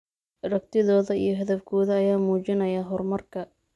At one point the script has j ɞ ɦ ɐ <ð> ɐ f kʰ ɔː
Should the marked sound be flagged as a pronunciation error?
no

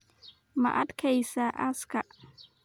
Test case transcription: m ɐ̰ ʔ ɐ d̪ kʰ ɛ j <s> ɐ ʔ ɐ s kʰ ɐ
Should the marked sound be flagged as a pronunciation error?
no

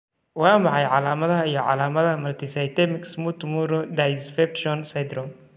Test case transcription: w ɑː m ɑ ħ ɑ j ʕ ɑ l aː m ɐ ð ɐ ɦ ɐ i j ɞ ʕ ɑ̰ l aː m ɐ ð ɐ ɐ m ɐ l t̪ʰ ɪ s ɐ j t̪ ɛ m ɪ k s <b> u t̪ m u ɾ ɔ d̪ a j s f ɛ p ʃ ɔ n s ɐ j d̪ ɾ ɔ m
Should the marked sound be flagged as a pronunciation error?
yes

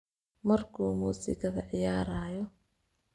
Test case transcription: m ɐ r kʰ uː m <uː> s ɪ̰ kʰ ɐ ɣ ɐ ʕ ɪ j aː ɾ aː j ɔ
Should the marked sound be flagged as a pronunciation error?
no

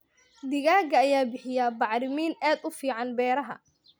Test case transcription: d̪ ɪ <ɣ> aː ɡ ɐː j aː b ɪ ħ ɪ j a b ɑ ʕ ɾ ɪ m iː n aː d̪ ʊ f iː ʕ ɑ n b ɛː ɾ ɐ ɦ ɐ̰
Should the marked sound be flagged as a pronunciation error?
no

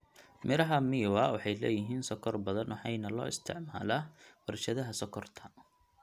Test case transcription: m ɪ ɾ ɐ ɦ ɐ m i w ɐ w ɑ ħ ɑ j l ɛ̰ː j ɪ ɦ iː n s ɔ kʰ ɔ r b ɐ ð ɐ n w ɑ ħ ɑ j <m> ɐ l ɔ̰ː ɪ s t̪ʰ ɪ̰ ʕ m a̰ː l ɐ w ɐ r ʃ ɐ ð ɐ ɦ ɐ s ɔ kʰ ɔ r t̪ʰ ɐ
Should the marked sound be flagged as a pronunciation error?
yes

